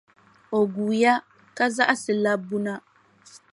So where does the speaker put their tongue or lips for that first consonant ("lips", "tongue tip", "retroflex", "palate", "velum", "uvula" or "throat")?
velum